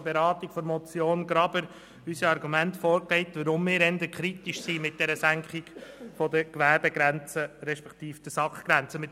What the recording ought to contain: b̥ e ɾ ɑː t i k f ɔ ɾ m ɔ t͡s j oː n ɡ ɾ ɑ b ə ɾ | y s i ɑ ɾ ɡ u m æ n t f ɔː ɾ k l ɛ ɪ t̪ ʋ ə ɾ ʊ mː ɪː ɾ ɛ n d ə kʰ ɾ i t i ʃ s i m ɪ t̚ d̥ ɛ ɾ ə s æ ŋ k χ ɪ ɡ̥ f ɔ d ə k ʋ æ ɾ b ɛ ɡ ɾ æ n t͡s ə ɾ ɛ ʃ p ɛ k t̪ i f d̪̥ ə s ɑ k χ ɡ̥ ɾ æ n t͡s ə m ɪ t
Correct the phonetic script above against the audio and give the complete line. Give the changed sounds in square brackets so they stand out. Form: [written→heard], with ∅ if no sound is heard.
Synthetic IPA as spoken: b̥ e ɾ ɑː t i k f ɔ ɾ m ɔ t͡s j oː n ɡ ɾ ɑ b ə ɾ | y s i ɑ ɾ ɡ u m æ n t f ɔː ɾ k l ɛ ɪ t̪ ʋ ə ɾ ʊ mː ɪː ɾ ɛ n d ə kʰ ɾ i t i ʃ s i m ɪ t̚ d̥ ɛ ɾ ə s æ ŋ k χ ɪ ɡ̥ f ɔ d ə k ʋ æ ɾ b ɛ ɡ ɾ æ n t͡s ə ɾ ɛ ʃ p ɛ k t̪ [i→iː] f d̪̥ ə s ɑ k χ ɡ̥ ɾ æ n t͡s ə m ɪ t